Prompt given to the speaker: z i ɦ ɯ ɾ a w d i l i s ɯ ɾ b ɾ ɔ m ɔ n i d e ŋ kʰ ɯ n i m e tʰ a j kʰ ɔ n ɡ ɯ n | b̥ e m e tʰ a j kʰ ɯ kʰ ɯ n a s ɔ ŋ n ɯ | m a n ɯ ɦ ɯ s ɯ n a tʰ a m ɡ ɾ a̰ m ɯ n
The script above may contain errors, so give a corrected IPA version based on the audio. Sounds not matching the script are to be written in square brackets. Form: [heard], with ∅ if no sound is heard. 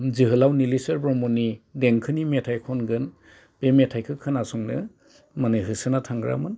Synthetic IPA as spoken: z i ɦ ɯ [l] a w [n] i l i s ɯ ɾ b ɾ ɔ m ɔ n i d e ŋ kʰ ɯ n i m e tʰ a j kʰ ɔ n ɡ ɯ n | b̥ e m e tʰ a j kʰ ɯ kʰ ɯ n a s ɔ ŋ n ɯ | m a n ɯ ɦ ɯ s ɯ n a tʰ a [ŋ] ɡ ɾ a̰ m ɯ n